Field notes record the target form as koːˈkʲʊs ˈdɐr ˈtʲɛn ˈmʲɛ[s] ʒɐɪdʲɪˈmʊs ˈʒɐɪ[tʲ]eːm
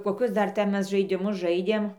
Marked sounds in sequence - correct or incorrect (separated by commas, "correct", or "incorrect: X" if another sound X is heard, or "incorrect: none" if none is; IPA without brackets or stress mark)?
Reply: correct, incorrect: dʲ